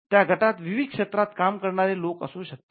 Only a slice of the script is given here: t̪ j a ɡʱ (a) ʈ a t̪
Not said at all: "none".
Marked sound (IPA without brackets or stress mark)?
ə